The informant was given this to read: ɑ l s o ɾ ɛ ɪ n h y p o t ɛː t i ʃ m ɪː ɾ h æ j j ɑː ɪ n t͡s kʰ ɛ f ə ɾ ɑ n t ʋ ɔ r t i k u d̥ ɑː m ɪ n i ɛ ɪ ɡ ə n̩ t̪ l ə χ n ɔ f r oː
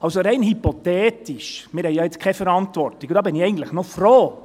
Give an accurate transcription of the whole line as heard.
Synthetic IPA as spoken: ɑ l s o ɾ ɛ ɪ n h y p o t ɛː t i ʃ m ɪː ɾ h ɛ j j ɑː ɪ t͡s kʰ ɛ f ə ɾ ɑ n t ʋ ɔ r t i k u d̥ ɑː b ɪ n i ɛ ɪ ɡ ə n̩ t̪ l ə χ n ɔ f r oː

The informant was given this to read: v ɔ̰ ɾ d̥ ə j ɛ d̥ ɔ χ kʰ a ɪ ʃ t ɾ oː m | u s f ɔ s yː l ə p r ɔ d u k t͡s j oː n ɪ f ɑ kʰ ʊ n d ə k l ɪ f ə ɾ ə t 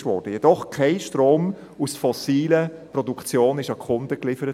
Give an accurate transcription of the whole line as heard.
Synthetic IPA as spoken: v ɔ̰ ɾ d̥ ə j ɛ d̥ ɔ χ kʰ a ɪ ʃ t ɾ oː m | u s f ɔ s iː l ə p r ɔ d u k t͡s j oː n ɪ ʃ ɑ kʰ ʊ n d ə k l ɪ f ə ɾ ə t

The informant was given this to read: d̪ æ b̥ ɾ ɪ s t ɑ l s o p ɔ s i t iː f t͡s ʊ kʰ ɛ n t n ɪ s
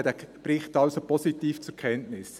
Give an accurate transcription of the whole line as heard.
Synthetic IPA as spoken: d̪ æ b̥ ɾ ɪ χ t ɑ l s o p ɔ s i t iː f t͡s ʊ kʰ ɛ n t n ɪ s

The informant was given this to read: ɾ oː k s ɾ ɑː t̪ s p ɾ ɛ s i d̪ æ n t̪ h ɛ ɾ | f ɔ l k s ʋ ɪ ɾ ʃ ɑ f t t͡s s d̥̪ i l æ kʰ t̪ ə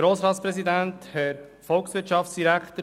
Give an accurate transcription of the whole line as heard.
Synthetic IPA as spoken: ɾ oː s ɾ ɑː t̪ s p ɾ ɛ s i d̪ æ n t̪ h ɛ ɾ | f ɔ l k s ʋ ɪ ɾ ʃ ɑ f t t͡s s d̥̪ i ɾ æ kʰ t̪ ə

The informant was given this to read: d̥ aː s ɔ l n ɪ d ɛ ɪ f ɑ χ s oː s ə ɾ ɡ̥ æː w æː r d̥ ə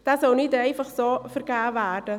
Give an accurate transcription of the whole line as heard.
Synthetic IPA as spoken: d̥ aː s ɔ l n ɪ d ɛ ɪ f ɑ χ s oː f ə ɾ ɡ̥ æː v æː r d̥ ə

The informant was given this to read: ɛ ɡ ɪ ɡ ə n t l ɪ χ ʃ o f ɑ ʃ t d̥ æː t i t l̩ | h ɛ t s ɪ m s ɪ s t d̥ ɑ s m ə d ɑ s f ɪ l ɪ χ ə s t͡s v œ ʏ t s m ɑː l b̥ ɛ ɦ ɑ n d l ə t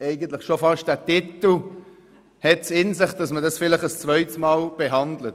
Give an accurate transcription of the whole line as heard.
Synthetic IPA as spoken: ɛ ɪ ɡ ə n t l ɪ χ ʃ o f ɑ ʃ t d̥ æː t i t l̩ | h ɛ t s ɪ n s ɪ χ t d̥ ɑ s m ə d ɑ s f ɪ l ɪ χ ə s t͡s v œ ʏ t s m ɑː l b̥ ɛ ɦ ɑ n d l ə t

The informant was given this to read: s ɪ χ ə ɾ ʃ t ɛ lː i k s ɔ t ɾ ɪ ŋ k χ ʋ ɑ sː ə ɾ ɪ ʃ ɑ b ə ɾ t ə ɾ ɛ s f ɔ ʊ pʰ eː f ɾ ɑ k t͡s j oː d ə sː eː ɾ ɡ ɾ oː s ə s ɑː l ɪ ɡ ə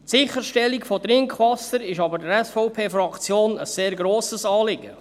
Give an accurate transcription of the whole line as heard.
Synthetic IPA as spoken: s ɪ χ ə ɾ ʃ t ɛ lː i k f ɔ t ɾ ɪ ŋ k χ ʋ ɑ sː ə ɾ ɪ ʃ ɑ b ə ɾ d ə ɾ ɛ s f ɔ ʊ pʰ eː f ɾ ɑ k t͡s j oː n ə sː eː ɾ ɡ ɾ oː s ə s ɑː l ɪ ɡ ə

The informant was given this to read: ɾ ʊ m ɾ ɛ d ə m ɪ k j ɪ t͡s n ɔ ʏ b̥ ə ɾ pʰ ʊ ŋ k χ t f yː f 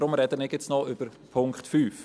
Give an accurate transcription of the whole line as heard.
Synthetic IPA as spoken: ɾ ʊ m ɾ ɛ d ə n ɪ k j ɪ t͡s n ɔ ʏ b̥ ə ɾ pʰ ʊ ŋ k χ t f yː f

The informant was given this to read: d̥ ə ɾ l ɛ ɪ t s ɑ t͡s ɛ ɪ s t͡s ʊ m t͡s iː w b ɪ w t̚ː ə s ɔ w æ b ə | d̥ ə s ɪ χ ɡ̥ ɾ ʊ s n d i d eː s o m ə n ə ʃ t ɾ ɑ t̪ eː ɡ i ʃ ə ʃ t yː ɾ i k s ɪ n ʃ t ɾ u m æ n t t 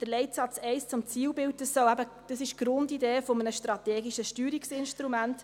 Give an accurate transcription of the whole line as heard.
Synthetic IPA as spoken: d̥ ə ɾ l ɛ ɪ t s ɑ t͡s ɛ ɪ s t͡s ʊ m t͡s iː w b ɪ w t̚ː ə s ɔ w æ b ə | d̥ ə s ɪ ʃ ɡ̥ ɾ ʊ n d i d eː f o m ə n ə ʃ t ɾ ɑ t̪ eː ɡ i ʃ ə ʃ t yː ɾ i k s ɪ n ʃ t ɾ u m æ n t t

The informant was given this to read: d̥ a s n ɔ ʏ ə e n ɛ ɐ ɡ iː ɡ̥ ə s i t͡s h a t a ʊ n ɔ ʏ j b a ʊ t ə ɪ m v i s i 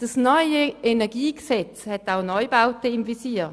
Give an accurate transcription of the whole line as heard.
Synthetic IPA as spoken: d̥ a s n ɔ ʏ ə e n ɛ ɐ ɡ iː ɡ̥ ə s ɛ t͡s h ɛ t a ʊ n ɔ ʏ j b a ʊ t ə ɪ m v i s iː

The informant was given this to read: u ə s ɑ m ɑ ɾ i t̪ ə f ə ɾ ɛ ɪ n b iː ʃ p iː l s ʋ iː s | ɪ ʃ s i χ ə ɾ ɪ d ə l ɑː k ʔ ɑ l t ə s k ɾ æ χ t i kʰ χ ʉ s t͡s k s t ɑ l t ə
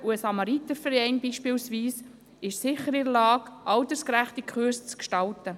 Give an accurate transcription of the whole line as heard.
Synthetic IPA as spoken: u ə s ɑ m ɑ ɾ i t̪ ə f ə ɾ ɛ ɪ n b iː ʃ p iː l s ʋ iː s | ɪ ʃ s ɪ χ ə ɾ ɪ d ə l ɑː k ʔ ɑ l t ə s k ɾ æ χ t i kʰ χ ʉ s t͡s k ʃ t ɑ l t ə

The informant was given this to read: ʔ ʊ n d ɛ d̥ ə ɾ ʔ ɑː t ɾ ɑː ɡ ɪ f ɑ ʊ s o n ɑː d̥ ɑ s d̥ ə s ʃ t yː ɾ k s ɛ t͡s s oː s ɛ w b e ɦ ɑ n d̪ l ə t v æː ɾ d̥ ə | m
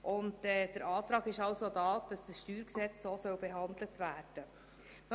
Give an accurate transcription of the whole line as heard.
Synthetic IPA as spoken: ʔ ʊ n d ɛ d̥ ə ɾ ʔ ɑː t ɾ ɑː ɡ ɪ ʃ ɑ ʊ s o d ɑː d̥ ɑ s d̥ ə s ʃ t yː ɾ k s ɛ t͡s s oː s œ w b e ɦ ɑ n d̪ l ə t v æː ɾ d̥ ə | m

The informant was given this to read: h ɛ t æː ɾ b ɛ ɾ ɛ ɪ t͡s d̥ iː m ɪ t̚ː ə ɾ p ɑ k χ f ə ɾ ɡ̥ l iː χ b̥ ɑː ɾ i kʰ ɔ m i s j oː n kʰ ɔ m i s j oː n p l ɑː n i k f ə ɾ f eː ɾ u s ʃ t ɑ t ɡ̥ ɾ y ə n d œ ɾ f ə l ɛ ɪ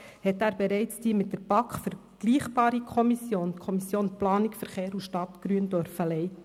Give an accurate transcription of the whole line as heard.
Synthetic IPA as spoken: h ɛ t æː ɾ b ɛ ɾ ɛ ɪ t͡s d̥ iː m ɪ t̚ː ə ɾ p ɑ k χ f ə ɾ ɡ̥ l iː χ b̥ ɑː ɾ i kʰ ɔ m i s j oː n kʰ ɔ m i s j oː n p l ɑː n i k f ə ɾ χ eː ɾ u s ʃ t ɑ t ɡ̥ ɾ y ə n d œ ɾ f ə l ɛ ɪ

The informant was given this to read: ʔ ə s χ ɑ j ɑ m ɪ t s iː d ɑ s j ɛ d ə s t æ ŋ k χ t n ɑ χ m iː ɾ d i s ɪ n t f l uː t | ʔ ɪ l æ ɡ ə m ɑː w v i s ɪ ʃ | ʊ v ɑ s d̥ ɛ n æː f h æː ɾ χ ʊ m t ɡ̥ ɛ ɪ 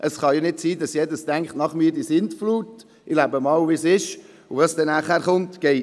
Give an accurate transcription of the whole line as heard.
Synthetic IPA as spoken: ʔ ə s χ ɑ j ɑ n ɪ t s iː d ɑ s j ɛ d ə s t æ ŋ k χ t n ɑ χ m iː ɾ d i s ɪ n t f l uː t | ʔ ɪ l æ b ə m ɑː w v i s ɪ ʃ | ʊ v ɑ s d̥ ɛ n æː χ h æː ɾ χ ʊ n t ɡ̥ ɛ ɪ

